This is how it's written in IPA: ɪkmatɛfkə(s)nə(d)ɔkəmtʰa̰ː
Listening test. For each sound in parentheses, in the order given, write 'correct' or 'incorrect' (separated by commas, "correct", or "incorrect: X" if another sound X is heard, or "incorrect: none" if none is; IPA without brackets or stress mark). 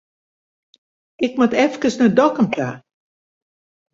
correct, correct